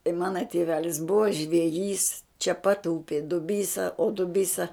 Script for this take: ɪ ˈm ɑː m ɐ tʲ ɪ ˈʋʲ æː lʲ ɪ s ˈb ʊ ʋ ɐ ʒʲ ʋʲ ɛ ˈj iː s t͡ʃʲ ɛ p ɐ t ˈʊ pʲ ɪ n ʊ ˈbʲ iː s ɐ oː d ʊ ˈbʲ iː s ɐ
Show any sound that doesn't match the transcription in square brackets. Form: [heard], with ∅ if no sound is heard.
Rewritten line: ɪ ˈm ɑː [n] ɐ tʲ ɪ ˈʋʲ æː lʲ ɪ s ˈb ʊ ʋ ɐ ʒʲ ʋʲ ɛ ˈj iː s t͡ʃʲ ɛ p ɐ t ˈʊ pʲ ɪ [d] ʊ ˈbʲ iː s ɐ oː d ʊ ˈbʲ iː s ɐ